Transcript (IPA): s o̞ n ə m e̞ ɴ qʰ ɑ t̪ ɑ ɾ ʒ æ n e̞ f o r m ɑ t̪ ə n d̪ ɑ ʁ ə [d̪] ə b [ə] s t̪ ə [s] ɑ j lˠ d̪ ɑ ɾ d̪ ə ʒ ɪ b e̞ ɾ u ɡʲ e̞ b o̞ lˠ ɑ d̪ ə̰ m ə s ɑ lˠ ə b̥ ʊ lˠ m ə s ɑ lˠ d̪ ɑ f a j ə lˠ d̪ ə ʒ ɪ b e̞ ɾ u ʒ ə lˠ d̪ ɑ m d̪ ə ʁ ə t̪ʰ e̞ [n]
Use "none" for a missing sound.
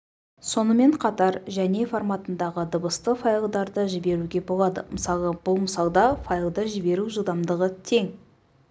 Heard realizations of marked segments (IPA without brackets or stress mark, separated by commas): d̪, ə, f, ŋ